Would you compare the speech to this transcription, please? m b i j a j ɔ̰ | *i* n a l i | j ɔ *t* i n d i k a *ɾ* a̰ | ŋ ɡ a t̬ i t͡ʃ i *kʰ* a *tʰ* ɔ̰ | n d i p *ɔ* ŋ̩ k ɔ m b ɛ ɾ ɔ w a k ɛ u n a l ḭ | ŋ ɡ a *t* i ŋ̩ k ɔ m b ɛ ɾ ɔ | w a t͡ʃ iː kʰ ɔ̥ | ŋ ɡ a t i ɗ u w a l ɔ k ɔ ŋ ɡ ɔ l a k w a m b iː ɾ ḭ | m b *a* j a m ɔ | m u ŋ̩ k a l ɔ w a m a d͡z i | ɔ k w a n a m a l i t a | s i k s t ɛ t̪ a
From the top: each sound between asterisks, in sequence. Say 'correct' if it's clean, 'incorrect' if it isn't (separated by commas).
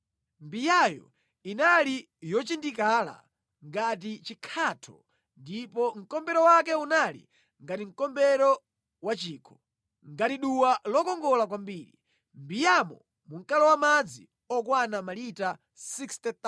correct, incorrect, incorrect, correct, correct, correct, correct, incorrect